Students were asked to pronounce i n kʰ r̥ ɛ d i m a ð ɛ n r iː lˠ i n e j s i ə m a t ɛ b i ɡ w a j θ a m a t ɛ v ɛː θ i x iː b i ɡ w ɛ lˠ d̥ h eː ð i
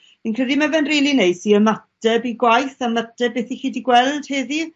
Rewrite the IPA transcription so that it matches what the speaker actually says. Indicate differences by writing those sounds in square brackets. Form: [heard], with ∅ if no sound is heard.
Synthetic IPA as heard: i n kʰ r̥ ɛ d i m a [v] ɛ n r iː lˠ i n e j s i ə m a t ɛ b i ɡ w a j θ a m a t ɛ [b] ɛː θ i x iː [d] i ɡ w ɛ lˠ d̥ h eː ð i